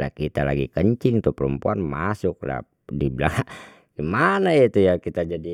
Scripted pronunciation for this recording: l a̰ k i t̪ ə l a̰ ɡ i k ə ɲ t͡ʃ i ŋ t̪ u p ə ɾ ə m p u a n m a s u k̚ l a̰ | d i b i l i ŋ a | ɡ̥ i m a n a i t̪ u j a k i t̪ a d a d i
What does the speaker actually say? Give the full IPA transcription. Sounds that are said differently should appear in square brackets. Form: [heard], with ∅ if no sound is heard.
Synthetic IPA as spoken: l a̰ k i t̪ [a] l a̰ ɡ i k ə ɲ t͡ʃ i ŋ t̪ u p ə ɾ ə m p u a n m a s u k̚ l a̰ | d i b i l [a] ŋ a | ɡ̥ i m a n a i t̪ u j a k i t̪ a [d͡ʒ] a d i